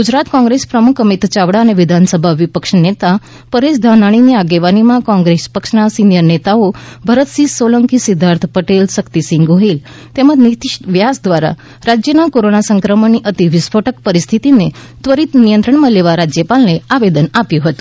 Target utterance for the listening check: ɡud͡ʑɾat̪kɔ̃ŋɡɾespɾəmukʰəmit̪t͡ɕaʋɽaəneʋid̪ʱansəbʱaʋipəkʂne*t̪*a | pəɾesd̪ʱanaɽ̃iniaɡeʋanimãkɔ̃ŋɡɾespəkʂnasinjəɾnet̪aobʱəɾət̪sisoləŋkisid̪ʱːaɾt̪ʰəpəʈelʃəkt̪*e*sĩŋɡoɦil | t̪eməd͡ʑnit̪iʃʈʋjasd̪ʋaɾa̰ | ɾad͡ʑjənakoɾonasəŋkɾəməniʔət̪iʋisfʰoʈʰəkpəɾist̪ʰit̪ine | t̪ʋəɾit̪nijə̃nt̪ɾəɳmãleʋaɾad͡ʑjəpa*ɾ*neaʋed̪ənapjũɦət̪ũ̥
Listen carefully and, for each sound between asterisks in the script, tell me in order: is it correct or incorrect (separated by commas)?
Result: correct, incorrect, incorrect